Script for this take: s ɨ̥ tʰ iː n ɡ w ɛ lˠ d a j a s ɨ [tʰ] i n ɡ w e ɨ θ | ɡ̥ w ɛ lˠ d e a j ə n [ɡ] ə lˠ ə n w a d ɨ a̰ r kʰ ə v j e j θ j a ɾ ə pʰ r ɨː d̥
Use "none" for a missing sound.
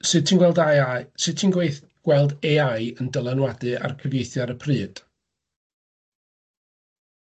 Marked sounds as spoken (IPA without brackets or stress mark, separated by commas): tʰ, d